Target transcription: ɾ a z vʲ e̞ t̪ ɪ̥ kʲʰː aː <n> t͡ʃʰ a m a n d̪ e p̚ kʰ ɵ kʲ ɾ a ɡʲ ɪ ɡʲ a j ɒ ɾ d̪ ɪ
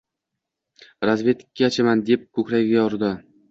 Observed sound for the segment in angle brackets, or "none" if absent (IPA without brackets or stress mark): none